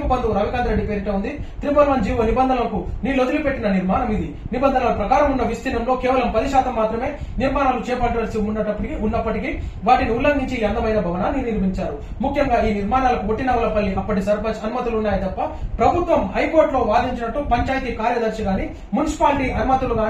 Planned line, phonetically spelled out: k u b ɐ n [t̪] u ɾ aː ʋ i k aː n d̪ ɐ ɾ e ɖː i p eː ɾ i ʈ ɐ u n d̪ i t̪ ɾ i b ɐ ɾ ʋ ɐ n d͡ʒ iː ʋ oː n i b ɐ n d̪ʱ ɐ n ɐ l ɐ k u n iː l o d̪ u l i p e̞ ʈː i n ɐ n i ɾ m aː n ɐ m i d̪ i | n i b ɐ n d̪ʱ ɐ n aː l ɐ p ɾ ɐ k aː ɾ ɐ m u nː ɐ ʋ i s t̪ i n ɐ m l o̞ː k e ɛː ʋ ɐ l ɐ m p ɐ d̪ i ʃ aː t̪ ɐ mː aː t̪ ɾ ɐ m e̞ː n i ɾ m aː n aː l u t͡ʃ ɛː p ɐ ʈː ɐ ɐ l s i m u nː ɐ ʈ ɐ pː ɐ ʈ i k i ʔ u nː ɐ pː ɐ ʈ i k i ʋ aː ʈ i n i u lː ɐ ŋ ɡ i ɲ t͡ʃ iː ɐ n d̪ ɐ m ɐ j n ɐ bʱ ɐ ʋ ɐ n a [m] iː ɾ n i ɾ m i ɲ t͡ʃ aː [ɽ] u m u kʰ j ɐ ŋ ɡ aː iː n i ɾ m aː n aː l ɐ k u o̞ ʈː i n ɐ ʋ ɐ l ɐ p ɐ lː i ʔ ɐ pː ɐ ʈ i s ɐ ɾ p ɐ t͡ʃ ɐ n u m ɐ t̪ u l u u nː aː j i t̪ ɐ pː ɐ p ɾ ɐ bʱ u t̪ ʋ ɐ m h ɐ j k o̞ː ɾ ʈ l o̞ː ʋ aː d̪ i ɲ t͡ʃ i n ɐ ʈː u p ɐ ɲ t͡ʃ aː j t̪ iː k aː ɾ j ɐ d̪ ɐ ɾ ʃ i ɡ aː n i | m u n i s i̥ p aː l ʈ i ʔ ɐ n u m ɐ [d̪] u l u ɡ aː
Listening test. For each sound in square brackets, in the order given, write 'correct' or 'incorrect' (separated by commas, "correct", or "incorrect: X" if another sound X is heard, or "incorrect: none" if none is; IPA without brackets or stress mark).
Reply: incorrect: d̪, incorrect: n, incorrect: ɾ, incorrect: t̪